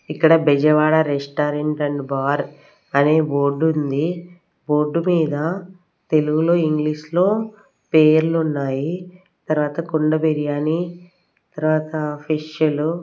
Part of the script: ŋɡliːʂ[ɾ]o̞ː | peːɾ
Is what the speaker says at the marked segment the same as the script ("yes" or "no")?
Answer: no